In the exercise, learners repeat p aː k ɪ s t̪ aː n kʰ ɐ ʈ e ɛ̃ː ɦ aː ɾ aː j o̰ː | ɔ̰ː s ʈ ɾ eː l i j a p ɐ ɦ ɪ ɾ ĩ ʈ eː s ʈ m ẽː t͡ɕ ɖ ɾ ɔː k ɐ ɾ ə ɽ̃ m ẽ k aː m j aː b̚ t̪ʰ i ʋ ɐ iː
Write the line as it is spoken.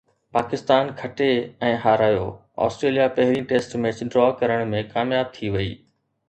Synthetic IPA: p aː k ɪ s t̪ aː n kʰ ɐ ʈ e ɛ̃ː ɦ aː ɾ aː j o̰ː | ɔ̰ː s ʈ ɾ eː l i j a p ɐ ɦ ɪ ɾ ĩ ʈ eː s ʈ m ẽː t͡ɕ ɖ ɾ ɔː k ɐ ɾ ə ɽ̃ m ẽ k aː m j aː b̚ t̪ʰ i ʋ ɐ iː